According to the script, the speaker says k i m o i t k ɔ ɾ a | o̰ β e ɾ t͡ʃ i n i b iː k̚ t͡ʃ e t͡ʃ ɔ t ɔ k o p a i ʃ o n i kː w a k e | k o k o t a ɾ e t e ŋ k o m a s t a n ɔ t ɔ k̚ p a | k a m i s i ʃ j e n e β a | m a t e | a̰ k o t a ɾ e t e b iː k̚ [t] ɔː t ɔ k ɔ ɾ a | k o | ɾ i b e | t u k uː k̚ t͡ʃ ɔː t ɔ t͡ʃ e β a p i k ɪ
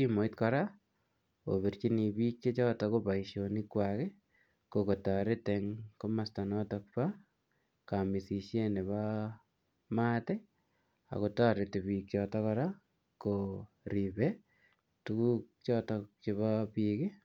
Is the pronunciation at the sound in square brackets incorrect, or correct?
incorrect